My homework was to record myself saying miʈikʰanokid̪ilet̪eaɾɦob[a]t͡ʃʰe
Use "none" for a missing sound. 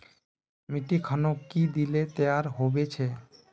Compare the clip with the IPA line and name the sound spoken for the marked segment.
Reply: e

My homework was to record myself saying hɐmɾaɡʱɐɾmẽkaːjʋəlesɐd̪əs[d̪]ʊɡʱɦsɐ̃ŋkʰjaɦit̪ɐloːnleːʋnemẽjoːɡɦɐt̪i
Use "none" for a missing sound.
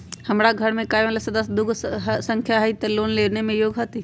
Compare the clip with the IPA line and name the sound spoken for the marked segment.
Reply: d̪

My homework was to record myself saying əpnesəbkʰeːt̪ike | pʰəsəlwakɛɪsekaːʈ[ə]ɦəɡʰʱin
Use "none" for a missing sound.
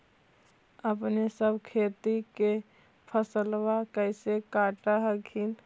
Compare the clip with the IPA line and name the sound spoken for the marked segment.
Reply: a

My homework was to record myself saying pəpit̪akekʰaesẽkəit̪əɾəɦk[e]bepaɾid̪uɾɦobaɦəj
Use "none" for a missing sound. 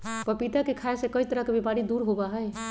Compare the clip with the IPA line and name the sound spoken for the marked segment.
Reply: e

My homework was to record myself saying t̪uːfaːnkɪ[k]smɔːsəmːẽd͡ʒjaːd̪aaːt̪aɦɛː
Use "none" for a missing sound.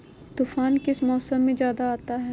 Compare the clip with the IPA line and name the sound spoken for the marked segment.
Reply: none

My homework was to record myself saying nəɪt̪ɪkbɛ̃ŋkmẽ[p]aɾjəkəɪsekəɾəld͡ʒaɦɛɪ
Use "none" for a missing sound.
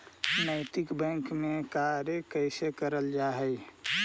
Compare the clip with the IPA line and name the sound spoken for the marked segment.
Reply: k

